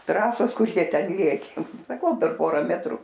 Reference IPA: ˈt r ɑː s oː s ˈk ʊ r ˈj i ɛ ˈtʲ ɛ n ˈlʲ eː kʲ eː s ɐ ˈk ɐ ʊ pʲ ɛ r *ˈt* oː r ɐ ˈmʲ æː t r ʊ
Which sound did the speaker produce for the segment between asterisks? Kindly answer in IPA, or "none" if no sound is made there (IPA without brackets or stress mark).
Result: p